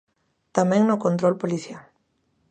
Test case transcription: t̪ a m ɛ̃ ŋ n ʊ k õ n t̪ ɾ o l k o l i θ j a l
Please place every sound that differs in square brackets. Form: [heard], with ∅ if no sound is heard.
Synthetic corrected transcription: t̪ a m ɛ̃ ŋ n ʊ k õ n t̪ ɾ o l [p] o l i θ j a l